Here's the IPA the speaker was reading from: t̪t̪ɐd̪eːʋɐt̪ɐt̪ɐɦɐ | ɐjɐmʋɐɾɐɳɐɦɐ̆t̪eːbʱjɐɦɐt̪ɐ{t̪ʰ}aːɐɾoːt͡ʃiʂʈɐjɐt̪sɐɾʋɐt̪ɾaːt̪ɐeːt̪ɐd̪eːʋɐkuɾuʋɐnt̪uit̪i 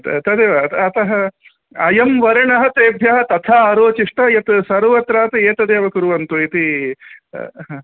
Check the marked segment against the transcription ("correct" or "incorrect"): correct